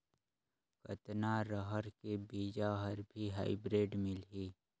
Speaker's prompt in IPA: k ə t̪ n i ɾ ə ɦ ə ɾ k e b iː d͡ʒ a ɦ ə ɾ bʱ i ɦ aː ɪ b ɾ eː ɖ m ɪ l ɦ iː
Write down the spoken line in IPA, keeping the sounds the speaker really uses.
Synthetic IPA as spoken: k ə t̪ n a ɾ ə ɦ ə ɾ k e b iː d͡ʒ a ɦ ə ɾ bʱ i ɦ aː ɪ b ɾ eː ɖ m ɪ l ɦ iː